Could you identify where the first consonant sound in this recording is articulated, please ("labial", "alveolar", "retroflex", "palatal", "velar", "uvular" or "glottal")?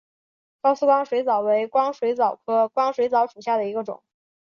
velar